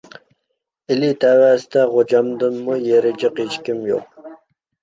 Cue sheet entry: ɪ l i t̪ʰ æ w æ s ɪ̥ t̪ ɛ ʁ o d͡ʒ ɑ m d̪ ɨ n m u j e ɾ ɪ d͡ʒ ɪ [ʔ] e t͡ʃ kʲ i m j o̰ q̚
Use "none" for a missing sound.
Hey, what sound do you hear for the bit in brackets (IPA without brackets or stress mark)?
q